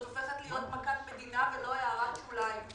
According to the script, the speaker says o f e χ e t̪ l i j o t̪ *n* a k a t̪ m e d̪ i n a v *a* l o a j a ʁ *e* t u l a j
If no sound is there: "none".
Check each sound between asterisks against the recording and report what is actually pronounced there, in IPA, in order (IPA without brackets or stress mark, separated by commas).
m, e, a